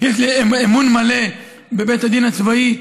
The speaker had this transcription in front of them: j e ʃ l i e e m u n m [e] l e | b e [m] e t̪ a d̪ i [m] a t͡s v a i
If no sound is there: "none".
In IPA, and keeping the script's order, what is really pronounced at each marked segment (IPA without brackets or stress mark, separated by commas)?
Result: a, b, n